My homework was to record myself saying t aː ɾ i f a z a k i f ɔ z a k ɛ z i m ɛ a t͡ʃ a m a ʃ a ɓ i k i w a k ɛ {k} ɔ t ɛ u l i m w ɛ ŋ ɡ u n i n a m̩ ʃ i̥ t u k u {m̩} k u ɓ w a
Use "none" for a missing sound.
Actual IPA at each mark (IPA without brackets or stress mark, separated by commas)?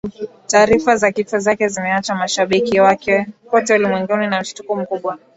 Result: k, m̩